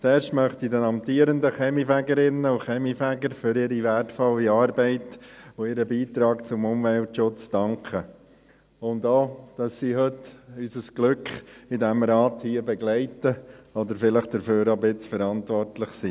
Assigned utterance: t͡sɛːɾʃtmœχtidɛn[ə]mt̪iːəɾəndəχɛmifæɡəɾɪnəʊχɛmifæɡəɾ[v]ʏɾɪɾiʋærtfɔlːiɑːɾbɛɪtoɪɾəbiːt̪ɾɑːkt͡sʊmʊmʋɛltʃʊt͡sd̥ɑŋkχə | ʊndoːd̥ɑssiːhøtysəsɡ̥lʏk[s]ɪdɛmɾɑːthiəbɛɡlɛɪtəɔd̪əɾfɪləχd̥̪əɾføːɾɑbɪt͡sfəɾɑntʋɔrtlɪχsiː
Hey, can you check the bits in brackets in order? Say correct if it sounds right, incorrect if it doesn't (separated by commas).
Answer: incorrect, incorrect, incorrect